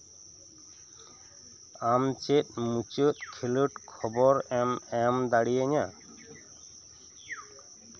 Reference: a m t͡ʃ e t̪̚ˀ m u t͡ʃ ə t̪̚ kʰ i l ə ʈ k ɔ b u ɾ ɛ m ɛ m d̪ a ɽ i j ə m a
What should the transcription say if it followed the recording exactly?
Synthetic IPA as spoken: a m t͡ʃ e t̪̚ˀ m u t͡ʃ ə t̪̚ kʰ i l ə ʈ kʰ ɔ b ɔ ɾ ɛ m ɛ m d̪ a ɽ i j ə ɲ a